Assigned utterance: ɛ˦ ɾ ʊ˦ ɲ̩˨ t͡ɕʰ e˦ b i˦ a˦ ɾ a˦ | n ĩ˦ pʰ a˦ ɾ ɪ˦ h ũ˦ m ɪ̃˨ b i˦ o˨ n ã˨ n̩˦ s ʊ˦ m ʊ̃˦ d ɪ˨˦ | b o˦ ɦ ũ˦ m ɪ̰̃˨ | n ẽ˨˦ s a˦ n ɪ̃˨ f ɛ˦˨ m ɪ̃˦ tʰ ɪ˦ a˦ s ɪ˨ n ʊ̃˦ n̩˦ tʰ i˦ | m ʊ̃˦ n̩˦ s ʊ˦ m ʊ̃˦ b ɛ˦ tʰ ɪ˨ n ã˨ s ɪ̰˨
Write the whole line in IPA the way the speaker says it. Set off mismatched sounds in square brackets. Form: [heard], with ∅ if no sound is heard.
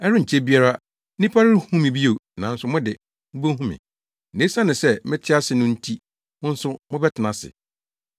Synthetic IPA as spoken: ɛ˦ ɾ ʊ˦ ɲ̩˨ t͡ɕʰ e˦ b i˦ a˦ ɾ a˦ | n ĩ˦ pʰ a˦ ɾ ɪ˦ h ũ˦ m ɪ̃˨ b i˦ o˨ n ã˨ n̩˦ s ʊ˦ m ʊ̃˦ d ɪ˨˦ | b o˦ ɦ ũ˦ m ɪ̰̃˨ | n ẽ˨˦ s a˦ n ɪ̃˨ [s] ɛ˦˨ m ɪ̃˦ tʰ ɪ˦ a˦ s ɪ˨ n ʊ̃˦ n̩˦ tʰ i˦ | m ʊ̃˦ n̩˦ s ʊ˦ m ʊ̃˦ b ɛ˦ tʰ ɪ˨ n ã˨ s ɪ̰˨